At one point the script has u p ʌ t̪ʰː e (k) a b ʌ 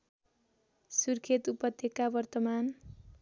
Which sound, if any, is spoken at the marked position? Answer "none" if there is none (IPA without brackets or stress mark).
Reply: k